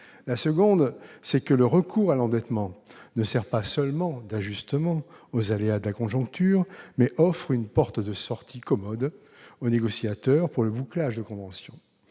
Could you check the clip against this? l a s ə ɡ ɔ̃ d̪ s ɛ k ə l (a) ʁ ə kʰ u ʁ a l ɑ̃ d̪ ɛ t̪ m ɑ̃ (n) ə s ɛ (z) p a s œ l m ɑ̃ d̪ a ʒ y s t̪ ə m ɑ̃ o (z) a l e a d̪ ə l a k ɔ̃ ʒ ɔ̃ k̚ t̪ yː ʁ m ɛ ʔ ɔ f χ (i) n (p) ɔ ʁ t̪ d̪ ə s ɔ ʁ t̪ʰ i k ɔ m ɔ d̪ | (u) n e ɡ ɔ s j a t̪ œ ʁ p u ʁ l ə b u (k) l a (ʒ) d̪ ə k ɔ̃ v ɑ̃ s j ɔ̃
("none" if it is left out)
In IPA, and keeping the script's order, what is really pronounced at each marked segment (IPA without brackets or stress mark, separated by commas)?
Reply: ə, n, ʁ, z, y, p, o, k, ʒ